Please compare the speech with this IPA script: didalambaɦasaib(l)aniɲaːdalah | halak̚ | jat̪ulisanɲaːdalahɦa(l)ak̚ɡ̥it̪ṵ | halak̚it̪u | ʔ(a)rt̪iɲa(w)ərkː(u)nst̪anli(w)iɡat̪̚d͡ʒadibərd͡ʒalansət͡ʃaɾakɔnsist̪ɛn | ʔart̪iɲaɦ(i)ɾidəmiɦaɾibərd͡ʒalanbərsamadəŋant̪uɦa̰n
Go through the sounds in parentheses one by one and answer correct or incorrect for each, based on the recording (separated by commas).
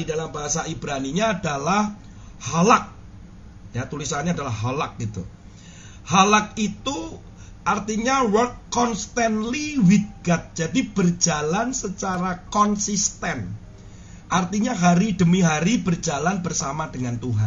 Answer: incorrect, correct, correct, correct, incorrect, correct, incorrect